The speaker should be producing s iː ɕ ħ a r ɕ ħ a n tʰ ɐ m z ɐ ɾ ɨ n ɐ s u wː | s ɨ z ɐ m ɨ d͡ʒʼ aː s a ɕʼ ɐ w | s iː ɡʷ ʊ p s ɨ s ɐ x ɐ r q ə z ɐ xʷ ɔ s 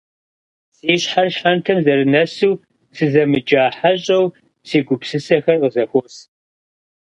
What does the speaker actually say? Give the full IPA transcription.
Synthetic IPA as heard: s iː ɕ ħ a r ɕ ħ a n tʰ ɐ m z ɐ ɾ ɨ n ɐ s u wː | s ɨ z ɐ m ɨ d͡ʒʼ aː ħ a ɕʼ ɐ w | s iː ɡʷ ʊ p s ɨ s ɐ x ɐ r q ə z ɐ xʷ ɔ s

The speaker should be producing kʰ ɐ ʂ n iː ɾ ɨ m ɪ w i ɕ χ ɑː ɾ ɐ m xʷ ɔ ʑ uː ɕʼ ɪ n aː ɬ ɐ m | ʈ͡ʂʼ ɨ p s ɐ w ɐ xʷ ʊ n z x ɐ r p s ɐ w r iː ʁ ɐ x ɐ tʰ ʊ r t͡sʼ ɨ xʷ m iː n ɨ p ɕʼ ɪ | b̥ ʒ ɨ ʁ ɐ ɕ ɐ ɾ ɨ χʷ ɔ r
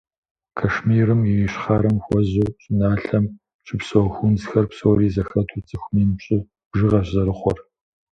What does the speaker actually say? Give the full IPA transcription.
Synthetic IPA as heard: kʰ ɐ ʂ m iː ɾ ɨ m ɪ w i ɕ χ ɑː ɾ ɐ m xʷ ɔ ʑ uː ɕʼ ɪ n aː ɬ ɐ m | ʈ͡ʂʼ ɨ p s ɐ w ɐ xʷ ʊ n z x ɐ r p s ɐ w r iː z ɐ x ɐ tʰ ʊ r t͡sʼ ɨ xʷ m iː n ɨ p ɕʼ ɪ | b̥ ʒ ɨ ʁ ɐ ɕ ɐ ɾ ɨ χʷ ɔ r

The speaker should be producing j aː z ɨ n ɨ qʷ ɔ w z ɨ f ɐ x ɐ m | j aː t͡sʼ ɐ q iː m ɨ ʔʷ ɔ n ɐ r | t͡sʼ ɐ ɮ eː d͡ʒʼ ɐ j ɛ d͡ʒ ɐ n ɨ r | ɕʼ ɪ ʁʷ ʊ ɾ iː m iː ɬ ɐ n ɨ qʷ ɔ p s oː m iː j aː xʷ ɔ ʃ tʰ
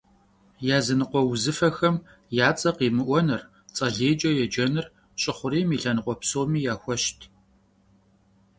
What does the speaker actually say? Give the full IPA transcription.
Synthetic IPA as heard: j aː z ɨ n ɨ qʷ ɔ w z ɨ f ɐ x ɐ m | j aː t͡sʼ ɐ q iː m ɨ ʔʷ ɔ n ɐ r | t͡sʼ ɐ ɮ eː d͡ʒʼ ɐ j ɛ d͡ʒ ɐ n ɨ r | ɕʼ ɪ χʷ ʊ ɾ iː m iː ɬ ɐ n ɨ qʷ ɔ p s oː m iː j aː xʷ ɔ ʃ tʰ

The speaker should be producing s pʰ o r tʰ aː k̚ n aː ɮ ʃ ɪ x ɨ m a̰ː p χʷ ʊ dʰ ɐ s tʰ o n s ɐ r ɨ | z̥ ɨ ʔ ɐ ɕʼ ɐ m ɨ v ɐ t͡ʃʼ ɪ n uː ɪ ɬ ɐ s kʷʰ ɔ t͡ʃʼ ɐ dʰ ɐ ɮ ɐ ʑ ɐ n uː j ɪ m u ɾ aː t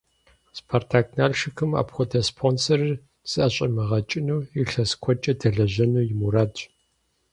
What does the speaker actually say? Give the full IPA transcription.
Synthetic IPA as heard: s pʰ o r tʰ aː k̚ n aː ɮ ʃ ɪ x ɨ m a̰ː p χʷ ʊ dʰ ɐ s pʰ o n s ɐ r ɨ | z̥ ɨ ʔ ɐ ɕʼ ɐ m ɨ ʁ ɐ t͡ʃʼ ɪ n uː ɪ ɬ ɐ s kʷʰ ɔ t͡ʃʼ ɐ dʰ ɐ ɮ ɐ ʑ ɐ n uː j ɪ m u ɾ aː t

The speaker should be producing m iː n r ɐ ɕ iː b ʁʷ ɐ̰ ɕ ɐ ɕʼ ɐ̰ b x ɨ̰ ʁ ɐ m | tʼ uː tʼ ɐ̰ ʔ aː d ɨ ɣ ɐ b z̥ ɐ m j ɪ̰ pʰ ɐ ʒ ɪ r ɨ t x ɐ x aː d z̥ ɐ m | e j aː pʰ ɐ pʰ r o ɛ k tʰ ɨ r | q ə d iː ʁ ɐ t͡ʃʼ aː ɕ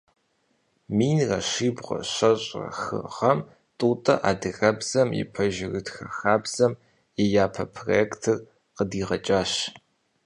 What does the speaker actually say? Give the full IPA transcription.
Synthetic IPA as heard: m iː n r ɐ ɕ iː b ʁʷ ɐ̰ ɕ ɐ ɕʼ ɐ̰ x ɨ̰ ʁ ɐ m | tʼ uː tʼ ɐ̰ ʔ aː d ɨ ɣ ɐ b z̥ ɐ m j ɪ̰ pʰ ɐ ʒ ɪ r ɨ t x ɐ x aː b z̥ ɐ m | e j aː pʰ ɐ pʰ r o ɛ k tʰ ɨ r | q ə d iː ʁ ɐ t͡ʃʼ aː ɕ

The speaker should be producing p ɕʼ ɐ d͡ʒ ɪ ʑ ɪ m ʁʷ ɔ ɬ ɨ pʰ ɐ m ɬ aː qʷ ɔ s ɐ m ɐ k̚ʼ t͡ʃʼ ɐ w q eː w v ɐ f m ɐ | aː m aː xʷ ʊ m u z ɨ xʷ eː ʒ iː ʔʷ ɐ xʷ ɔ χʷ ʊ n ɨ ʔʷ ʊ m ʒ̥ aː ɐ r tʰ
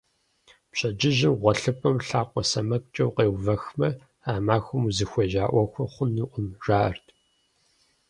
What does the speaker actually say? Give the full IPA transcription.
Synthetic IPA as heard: p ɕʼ ɐ d͡ʒ ɪ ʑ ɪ m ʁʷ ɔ ɬ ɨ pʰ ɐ m ɬ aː qʷ ɔ s ɐ m ɐ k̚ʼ t͡ʃʼ ɐ w q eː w v ɐ x m ɐ | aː m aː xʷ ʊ m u z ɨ xʷ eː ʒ aː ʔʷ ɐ xʷ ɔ χʷ ʊ n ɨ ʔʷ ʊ m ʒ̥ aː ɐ r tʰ

